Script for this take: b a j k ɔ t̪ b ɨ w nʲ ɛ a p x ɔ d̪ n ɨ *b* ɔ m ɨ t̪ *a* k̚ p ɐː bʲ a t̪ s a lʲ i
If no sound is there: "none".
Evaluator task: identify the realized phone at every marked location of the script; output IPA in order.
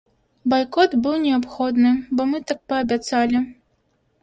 b, a

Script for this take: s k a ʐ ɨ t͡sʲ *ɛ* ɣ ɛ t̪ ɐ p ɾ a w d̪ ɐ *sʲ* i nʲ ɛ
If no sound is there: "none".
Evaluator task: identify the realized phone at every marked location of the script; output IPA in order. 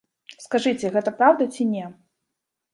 ɛ, t͡sʲ

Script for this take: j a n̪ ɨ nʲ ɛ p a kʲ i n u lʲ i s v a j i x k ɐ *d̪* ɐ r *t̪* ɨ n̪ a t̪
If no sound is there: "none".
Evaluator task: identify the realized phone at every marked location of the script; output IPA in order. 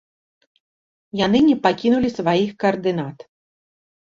none, d̪

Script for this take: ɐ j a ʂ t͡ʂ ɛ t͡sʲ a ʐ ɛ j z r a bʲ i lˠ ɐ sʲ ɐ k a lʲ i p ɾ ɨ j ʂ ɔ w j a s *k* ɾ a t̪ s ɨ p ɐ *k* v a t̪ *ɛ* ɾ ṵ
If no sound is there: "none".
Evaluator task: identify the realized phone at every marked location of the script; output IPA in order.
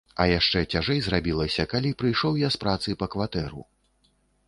p, k, ɛ

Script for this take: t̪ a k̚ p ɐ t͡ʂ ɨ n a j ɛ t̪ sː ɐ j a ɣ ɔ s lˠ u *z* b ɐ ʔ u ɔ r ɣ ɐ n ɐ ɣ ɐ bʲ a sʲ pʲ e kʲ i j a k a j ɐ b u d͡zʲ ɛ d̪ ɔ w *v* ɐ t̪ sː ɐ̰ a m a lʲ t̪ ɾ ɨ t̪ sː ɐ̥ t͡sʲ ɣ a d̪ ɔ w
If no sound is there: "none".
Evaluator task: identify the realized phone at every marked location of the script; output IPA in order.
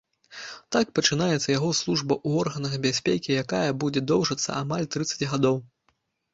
ʐ, ʐ

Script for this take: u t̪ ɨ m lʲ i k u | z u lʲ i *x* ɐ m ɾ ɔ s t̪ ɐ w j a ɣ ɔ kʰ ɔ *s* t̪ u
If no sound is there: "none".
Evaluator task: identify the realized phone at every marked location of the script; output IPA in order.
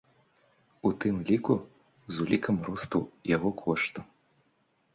k, ʂ

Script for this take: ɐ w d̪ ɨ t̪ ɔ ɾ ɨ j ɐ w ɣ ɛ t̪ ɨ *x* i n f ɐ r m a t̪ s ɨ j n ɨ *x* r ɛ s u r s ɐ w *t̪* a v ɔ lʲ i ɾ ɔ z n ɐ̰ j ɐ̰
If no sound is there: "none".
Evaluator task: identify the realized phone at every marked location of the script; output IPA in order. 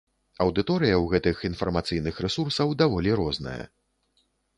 x, x, d̪

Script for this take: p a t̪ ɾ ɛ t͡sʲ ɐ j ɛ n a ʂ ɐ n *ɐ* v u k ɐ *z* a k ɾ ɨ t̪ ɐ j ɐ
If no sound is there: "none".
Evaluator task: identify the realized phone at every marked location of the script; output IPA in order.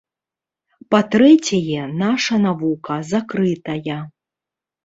a, z

